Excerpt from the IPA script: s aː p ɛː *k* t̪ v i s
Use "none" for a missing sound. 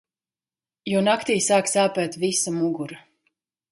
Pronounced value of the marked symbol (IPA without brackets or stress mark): none